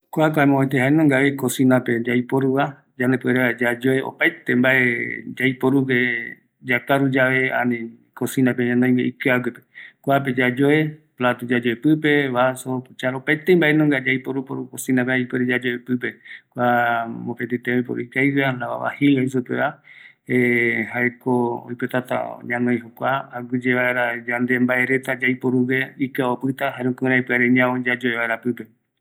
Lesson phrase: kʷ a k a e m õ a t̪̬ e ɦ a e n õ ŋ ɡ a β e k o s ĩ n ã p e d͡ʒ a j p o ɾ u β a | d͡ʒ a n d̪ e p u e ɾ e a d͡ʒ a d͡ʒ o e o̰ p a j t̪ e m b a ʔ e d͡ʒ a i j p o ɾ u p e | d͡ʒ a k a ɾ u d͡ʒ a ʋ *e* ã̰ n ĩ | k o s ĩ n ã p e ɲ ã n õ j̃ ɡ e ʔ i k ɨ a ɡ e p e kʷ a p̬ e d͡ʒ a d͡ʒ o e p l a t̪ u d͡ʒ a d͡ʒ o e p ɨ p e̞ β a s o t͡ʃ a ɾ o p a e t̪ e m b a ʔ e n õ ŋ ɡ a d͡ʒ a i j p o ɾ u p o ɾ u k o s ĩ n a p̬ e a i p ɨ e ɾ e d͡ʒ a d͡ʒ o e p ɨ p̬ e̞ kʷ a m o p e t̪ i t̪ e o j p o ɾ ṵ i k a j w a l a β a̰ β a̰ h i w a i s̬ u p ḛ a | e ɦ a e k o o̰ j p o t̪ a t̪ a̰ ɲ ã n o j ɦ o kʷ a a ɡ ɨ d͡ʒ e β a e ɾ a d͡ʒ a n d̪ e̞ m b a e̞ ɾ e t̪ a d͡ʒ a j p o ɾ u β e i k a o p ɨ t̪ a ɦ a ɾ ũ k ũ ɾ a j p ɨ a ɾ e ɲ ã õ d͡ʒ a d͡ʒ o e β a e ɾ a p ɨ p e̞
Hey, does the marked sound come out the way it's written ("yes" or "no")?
yes